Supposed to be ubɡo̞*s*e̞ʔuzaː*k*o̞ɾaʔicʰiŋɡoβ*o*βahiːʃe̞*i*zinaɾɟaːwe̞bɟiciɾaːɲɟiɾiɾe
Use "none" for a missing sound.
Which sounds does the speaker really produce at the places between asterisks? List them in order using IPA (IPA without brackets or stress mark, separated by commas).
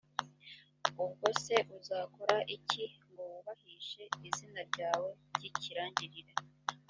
s, k, u, i